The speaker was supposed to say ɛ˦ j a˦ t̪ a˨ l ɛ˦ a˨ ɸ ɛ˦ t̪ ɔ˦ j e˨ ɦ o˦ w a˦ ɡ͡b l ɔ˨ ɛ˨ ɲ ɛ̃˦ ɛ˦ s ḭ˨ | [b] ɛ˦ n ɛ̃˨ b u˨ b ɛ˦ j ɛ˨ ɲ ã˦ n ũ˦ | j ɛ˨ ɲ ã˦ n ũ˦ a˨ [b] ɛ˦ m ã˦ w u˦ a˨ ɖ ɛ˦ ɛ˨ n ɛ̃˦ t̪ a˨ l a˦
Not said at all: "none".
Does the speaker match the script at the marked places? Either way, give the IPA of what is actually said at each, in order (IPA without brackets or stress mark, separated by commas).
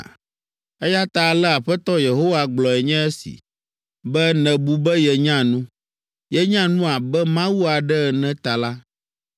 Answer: b, b